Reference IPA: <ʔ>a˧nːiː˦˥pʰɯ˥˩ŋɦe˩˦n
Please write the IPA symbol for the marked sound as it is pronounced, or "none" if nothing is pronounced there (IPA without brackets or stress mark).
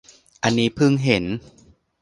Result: ʔ